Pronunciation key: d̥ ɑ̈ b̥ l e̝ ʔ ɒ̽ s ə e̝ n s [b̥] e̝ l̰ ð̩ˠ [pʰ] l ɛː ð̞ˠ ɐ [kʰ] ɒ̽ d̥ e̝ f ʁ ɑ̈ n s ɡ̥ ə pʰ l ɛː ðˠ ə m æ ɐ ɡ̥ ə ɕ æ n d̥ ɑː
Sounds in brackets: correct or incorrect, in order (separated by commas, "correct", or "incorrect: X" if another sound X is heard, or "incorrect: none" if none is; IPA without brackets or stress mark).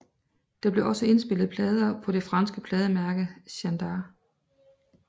correct, correct, incorrect: pʰ